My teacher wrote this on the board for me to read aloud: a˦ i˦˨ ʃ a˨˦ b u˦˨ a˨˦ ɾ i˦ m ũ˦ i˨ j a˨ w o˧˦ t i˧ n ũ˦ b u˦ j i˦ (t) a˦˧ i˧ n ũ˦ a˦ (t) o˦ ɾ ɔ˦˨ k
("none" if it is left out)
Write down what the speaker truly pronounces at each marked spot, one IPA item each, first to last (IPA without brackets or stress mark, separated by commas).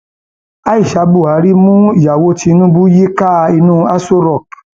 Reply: k, s